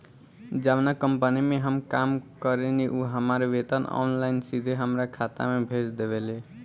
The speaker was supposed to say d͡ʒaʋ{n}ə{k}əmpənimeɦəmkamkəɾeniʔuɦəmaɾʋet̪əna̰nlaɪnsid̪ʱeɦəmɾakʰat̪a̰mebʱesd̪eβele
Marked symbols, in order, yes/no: yes, yes

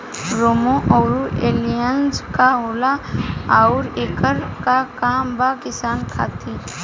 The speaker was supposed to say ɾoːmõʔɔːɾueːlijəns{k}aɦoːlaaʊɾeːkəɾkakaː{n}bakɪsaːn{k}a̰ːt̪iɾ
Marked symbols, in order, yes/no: yes, no, no

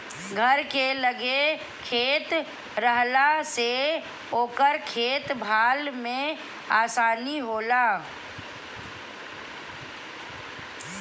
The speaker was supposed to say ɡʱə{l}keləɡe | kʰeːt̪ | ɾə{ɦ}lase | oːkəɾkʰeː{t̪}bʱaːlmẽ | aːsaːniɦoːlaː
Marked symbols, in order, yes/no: no, yes, yes

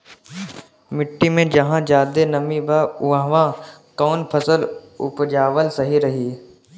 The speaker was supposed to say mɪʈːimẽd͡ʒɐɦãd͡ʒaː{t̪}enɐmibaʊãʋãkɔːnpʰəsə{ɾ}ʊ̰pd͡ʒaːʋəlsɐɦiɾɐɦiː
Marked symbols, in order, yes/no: no, no

